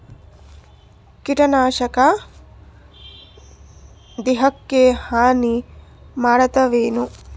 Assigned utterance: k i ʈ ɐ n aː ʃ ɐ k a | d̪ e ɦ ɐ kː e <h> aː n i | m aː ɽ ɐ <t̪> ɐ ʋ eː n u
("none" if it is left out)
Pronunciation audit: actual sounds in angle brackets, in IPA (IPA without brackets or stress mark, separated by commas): h, t̪